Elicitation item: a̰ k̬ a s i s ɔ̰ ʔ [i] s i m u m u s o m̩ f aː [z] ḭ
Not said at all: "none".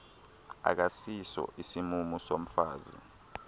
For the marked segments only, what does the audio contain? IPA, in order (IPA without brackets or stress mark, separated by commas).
i, z